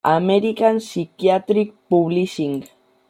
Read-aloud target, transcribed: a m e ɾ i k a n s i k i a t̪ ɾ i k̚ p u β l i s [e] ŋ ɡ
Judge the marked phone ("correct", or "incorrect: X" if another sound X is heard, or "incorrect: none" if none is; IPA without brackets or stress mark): incorrect: i